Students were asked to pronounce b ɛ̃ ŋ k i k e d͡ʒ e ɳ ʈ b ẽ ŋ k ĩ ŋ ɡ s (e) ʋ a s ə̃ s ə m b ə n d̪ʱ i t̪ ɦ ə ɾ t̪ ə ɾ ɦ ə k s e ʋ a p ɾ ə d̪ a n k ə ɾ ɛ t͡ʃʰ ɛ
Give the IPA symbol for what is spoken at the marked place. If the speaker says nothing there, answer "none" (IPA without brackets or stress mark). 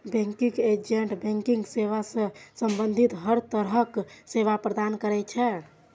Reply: e